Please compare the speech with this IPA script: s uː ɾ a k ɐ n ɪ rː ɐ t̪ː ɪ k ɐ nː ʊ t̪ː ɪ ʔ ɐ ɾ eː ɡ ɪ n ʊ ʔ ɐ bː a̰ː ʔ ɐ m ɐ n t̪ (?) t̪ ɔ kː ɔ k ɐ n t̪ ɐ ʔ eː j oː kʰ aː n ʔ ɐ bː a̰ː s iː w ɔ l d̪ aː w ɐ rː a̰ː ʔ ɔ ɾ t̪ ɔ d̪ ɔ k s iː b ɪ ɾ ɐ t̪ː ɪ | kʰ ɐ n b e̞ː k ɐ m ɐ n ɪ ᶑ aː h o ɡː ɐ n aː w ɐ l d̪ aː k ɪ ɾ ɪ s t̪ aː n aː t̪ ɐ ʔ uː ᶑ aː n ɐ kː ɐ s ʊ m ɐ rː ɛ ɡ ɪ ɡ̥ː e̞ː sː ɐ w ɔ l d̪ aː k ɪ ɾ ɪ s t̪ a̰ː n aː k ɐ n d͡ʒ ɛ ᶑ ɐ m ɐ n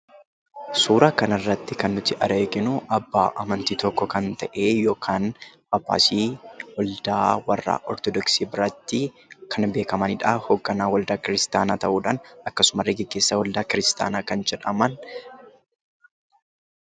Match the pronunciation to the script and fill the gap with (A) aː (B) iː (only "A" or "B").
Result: B